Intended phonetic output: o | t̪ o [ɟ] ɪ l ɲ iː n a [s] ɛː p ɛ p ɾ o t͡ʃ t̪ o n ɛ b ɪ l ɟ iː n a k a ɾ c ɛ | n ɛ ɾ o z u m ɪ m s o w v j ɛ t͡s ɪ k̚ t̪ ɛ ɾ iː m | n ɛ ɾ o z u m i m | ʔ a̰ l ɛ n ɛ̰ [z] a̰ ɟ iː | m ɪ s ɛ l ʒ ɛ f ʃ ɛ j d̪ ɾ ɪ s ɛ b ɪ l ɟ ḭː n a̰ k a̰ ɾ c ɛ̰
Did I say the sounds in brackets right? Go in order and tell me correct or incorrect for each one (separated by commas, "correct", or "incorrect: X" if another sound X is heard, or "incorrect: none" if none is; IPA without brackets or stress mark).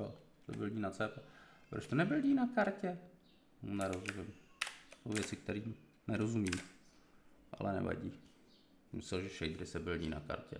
incorrect: b, incorrect: t͡s, incorrect: v